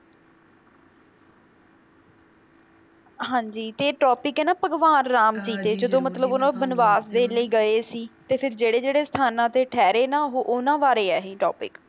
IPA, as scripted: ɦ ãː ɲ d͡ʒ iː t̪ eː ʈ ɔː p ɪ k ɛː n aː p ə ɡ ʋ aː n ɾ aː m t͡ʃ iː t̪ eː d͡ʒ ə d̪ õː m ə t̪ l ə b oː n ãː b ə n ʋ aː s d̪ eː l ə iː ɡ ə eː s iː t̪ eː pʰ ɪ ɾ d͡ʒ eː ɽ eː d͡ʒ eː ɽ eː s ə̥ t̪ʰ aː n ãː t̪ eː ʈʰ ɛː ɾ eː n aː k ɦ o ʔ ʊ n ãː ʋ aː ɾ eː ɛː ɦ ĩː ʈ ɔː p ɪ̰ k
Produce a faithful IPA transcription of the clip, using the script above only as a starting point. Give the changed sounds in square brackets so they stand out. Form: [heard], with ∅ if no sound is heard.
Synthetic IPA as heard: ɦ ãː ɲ d͡ʒ iː t̪ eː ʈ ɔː p ɪ k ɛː n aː p ə ɡ ʋ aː n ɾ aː m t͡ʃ iː t̪ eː d͡ʒ ə d̪ õː m ə t̪ l ə b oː n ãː b ə n ʋ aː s d̪ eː l ə iː ɡ ə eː s iː t̪ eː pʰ ɪ ɾ d͡ʒ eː ɽ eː d͡ʒ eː ɽ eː s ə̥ t̪ʰ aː n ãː t̪ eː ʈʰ ɛː ɾ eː n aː [∅] ɦ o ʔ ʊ n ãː ʋ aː ɾ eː ɛː ɦ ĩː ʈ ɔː p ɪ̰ k